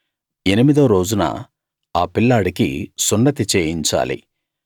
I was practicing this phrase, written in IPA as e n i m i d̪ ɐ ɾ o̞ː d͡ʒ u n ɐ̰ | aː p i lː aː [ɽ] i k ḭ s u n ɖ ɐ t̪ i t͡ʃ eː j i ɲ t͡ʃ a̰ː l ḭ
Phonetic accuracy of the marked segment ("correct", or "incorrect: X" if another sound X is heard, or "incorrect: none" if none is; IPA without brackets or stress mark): correct